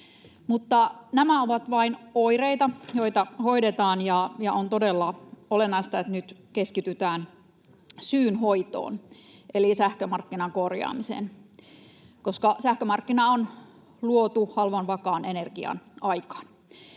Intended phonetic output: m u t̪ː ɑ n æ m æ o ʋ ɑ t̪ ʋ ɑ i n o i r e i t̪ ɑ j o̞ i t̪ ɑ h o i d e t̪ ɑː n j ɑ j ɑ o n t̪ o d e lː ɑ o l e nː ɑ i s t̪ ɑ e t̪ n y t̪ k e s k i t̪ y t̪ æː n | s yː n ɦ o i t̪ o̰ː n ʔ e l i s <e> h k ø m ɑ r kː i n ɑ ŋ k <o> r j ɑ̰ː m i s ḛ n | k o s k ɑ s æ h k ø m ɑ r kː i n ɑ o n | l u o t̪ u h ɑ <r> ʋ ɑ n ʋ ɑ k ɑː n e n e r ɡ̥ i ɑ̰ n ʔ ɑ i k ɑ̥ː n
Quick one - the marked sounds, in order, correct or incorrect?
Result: incorrect: æ, correct, incorrect: l

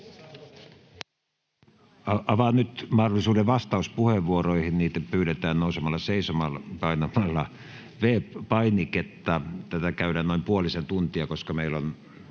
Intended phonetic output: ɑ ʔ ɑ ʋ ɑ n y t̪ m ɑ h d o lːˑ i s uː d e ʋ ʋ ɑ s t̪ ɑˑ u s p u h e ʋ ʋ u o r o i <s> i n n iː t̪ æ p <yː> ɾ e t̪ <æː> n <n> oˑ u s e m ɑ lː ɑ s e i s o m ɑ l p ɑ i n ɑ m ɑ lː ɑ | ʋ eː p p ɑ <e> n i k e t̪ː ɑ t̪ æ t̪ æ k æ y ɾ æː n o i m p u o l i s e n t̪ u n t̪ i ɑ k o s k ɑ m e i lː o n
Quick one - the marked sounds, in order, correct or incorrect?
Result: incorrect: h, correct, correct, correct, incorrect: i

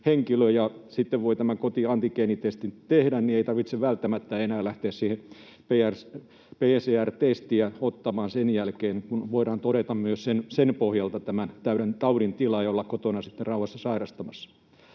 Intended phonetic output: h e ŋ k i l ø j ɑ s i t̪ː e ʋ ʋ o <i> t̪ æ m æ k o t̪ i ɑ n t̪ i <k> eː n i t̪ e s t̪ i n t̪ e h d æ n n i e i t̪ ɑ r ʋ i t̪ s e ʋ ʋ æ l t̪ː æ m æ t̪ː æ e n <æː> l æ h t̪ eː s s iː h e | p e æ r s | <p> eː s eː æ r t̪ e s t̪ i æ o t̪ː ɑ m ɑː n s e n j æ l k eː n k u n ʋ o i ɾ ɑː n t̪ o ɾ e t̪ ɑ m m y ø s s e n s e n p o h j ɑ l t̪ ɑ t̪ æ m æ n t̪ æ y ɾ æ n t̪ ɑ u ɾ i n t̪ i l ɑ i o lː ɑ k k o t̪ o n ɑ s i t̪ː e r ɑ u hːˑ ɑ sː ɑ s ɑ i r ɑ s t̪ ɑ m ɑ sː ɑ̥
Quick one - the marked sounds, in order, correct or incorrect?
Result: correct, correct, correct, correct

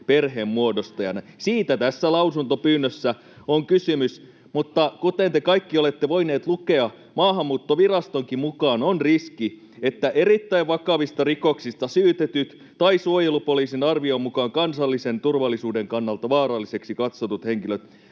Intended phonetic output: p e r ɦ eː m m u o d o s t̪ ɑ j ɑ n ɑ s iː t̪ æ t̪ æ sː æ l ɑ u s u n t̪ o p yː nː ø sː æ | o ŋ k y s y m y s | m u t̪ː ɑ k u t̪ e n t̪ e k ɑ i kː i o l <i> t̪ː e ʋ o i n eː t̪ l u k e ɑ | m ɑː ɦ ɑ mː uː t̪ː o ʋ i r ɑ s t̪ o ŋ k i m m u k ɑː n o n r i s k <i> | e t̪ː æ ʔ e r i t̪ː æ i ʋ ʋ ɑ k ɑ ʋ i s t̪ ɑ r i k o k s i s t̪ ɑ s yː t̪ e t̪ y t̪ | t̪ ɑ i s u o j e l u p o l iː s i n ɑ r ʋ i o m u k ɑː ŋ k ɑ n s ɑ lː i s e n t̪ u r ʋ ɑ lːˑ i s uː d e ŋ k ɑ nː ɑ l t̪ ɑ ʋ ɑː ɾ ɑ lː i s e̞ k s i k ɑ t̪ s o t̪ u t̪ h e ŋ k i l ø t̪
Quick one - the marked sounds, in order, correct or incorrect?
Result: incorrect: e, correct

